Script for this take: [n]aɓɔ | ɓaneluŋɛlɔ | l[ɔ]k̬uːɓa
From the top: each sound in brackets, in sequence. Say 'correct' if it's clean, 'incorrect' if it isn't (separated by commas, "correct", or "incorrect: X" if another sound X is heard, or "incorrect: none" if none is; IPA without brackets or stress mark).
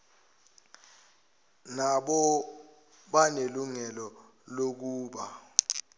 correct, incorrect: o